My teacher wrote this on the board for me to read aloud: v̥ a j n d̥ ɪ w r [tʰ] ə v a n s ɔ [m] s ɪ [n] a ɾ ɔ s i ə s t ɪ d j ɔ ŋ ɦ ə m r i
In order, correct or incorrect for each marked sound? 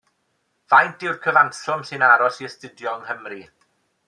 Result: incorrect, correct, correct

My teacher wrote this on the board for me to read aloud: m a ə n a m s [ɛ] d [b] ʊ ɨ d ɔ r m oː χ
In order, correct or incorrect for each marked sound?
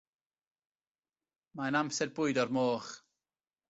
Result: correct, correct

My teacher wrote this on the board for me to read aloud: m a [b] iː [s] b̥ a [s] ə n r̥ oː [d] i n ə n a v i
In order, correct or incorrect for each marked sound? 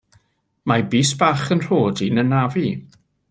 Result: correct, correct, incorrect, correct

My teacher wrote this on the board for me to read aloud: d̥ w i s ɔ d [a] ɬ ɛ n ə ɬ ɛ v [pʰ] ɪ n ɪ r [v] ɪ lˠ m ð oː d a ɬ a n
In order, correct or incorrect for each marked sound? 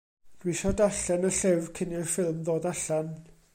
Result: correct, incorrect, incorrect

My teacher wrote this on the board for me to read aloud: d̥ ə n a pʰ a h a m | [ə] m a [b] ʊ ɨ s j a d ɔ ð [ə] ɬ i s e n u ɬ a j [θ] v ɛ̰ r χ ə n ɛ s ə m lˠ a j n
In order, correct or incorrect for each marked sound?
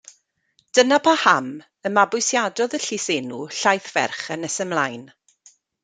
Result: correct, correct, correct, correct

